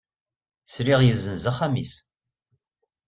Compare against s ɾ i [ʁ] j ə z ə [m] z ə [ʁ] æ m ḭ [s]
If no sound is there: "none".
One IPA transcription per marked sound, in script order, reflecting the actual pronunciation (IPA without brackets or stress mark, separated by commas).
ʁ, n, χ, s